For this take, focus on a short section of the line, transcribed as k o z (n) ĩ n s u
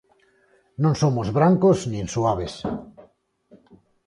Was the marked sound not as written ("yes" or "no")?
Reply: no